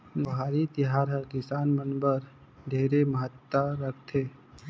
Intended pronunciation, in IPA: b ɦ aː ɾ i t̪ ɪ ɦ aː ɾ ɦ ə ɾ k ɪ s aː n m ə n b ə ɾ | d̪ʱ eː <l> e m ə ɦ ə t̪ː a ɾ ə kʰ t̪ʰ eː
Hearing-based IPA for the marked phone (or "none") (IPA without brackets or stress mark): ɾ